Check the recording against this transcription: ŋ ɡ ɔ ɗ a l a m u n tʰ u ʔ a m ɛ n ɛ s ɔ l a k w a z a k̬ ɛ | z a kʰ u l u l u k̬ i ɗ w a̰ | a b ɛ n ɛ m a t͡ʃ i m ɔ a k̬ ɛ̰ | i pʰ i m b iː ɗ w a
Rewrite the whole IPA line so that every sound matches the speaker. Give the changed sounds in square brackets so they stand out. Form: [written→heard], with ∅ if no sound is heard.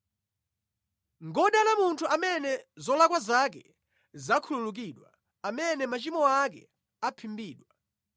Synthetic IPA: ŋ ɡ ɔ ɗ a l a m u n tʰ u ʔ a m ɛ n ɛ [s→z] ɔ l a k w a z a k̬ ɛ | z a kʰ u l u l u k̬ i ɗ w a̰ | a [b→m] ɛ n ɛ m a t͡ʃ i m ɔ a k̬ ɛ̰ | [i→a] pʰ i m b iː ɗ w a